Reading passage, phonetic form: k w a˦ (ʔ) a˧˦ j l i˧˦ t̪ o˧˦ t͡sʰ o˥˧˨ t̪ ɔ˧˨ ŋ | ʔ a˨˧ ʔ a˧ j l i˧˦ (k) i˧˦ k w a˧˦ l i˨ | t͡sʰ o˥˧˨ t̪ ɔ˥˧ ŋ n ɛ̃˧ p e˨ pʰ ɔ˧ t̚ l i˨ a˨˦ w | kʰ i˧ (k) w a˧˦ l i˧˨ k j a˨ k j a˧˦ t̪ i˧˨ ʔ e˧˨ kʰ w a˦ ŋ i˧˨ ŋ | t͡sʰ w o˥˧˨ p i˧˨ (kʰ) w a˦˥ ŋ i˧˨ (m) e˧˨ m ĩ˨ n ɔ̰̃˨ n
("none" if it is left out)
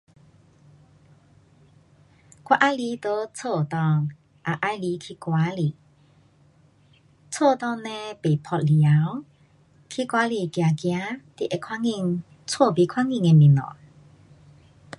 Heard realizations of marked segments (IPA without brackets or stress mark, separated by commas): ʔ, kʰ, k, kʰ, ŋ